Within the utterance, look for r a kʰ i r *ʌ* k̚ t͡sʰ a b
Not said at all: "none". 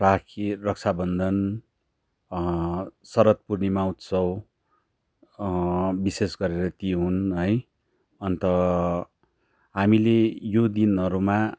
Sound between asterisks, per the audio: ʌ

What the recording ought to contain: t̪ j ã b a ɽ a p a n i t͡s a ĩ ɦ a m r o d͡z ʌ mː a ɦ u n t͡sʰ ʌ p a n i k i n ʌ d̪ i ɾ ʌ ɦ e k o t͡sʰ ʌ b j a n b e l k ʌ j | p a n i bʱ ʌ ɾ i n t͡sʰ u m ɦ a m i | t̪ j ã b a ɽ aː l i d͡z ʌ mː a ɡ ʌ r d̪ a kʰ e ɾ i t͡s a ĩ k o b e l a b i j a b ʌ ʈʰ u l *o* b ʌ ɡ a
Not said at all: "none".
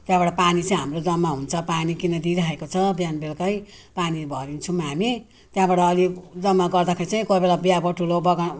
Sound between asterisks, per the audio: o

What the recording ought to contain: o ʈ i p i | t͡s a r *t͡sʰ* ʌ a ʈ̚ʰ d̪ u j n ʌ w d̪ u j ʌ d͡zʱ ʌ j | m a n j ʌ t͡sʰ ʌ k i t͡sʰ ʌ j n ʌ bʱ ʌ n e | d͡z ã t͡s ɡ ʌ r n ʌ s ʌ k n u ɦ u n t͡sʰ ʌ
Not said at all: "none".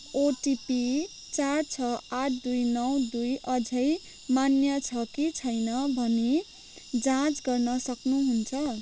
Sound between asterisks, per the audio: t͡sʰ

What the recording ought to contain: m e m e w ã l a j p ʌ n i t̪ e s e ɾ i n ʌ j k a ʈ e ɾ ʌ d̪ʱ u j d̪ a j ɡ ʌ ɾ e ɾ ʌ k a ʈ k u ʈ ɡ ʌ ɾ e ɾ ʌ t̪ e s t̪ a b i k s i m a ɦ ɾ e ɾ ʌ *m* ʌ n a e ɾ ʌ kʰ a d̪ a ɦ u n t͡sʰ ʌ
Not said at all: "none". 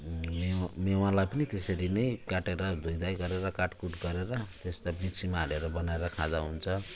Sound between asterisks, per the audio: b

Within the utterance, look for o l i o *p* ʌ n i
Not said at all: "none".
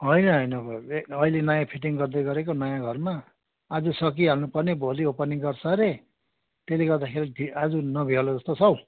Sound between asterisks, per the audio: p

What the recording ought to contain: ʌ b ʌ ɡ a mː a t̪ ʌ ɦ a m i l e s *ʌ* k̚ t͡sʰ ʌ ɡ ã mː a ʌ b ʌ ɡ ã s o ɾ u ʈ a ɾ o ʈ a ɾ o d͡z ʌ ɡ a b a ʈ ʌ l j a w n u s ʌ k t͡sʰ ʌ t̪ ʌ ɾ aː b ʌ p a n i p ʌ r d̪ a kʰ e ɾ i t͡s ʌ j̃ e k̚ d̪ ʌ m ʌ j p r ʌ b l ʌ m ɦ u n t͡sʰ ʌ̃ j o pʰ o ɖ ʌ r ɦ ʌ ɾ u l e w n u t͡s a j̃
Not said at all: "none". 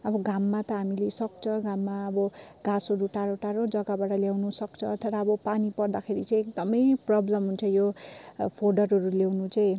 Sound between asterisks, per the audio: ʌ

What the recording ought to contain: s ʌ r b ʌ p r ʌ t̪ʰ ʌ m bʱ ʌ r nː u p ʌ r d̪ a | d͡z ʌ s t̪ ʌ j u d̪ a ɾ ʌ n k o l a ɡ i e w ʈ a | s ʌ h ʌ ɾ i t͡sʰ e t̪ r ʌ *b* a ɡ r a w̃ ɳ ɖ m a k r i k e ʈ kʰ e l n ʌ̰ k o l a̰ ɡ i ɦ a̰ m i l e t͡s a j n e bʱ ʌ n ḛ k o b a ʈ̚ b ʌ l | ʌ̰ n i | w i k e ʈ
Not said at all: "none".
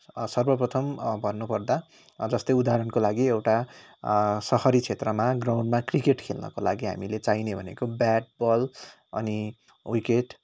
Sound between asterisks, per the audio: m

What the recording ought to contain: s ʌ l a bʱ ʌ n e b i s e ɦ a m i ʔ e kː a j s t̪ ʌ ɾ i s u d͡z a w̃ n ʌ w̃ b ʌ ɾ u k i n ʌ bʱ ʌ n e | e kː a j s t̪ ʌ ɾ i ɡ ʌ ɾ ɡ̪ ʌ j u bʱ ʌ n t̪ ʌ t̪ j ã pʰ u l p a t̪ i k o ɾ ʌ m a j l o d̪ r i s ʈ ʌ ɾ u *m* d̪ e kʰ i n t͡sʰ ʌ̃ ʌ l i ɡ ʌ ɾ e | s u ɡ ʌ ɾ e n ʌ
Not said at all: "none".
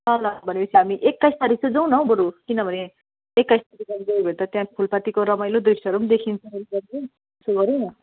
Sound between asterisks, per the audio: m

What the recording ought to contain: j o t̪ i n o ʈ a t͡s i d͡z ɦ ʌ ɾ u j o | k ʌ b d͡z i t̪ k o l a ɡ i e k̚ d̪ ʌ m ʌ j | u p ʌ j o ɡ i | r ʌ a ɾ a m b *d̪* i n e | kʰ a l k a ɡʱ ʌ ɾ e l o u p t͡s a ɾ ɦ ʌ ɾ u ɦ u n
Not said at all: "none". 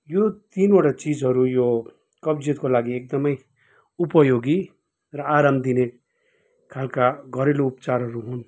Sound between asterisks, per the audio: d̪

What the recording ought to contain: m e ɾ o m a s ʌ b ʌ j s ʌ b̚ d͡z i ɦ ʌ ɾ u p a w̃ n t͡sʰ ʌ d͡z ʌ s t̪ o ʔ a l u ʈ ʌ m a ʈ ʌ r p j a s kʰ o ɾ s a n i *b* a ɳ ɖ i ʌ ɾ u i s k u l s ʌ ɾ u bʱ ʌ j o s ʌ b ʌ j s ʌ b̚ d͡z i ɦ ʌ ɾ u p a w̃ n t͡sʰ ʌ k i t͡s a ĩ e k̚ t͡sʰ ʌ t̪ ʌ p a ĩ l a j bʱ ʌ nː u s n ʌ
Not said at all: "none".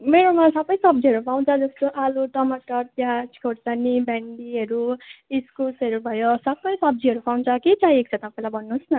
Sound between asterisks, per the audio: b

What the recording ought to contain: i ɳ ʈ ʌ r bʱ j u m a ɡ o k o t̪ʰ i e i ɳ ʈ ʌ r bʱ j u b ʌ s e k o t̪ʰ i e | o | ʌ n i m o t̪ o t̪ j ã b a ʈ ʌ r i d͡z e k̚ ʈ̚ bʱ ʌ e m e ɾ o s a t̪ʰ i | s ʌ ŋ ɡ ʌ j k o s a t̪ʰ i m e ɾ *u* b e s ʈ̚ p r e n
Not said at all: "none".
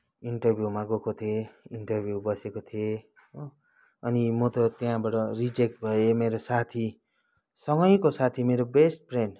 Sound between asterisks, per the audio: o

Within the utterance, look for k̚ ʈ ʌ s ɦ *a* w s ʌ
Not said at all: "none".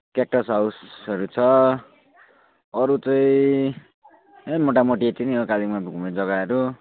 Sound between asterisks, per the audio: a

